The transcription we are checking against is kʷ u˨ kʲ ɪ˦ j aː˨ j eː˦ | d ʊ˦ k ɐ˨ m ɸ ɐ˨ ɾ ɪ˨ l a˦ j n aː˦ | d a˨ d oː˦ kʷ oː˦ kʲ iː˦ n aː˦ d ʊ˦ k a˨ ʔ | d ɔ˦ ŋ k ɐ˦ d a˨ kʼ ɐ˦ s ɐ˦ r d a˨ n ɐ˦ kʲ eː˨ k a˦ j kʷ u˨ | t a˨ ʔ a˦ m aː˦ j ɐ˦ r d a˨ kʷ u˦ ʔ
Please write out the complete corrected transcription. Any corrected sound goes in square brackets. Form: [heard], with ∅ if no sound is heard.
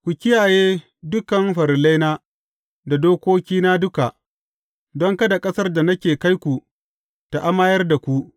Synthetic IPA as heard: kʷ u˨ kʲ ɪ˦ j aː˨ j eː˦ | d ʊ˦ k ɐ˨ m ɸ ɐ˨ ɾ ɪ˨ l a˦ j n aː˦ | d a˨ d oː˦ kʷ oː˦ kʲ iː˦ n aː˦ d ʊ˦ k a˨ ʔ | d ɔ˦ ŋ k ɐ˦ d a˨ kʼ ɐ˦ s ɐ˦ r d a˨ n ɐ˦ kʲ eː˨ k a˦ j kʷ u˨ | t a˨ ʔ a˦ m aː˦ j ɐ˦ r d a˨ kʷ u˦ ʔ